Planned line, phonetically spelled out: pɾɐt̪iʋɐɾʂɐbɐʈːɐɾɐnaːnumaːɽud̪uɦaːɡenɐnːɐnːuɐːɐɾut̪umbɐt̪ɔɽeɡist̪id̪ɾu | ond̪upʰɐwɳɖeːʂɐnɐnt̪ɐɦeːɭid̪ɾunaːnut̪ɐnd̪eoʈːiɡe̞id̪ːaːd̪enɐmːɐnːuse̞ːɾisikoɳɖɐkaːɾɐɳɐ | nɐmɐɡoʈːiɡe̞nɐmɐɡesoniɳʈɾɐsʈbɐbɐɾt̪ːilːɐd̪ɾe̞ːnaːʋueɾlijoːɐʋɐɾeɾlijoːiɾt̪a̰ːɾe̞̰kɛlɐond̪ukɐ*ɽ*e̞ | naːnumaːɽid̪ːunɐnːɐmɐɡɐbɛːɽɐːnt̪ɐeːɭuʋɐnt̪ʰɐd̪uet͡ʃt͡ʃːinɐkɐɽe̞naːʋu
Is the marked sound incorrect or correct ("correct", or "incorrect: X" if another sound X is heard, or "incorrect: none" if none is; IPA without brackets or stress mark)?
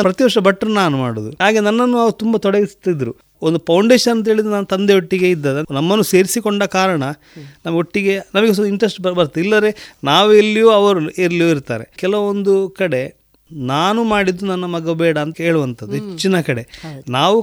correct